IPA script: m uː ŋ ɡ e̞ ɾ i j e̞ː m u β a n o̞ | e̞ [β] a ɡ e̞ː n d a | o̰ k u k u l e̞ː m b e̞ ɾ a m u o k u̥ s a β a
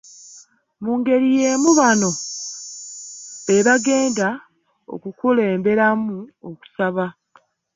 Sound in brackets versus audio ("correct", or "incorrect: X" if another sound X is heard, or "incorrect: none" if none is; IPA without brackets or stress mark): correct